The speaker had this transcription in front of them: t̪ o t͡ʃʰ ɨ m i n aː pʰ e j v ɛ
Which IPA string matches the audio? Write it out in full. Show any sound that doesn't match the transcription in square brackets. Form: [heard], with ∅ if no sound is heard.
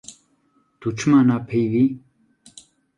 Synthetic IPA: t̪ [u] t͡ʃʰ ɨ m [a] n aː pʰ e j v [i]